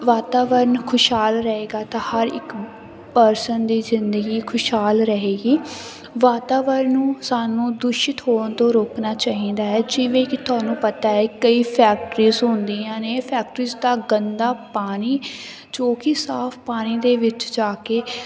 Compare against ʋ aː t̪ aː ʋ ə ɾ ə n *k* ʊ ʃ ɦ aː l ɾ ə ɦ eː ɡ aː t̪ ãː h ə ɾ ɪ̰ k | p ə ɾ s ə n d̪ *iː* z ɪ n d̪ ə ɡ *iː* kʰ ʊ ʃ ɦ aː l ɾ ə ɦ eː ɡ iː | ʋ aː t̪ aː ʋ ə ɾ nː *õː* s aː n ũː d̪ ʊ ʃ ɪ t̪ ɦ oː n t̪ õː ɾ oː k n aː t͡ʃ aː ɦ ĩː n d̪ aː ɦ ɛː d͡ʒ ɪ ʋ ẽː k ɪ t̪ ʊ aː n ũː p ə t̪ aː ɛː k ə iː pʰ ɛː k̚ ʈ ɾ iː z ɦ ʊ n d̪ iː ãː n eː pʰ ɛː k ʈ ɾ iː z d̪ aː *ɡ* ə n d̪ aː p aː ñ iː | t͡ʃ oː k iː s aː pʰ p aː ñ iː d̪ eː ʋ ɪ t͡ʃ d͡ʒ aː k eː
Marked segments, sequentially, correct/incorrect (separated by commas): incorrect, correct, correct, incorrect, correct